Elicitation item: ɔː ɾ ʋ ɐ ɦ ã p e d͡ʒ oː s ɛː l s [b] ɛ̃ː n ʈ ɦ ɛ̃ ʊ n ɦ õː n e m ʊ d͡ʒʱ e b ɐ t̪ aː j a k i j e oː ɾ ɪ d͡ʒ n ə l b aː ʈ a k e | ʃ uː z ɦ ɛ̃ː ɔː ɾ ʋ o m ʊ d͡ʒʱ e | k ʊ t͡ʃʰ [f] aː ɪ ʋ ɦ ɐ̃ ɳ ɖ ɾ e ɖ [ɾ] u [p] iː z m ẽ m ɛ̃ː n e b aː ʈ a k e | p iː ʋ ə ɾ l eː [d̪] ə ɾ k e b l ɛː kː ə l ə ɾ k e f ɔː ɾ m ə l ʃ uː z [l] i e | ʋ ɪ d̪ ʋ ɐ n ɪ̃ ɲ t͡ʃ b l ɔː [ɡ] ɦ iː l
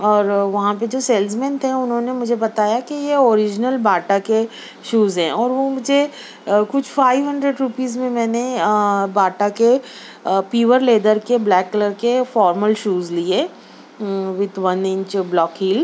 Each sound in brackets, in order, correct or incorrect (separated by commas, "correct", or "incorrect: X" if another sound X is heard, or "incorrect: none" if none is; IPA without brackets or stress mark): incorrect: m, correct, correct, correct, correct, correct, incorrect: k